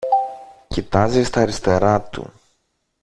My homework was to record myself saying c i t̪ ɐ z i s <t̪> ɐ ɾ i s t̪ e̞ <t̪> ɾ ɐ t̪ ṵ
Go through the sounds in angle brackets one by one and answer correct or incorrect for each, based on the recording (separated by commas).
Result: correct, incorrect